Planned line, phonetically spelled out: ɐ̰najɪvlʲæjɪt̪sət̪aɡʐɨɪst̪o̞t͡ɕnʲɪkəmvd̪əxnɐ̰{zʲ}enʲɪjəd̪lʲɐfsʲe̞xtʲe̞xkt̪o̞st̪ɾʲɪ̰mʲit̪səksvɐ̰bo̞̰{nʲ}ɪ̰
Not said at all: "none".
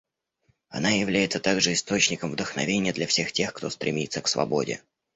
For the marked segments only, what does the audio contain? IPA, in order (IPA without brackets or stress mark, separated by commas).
vʲ, dʲ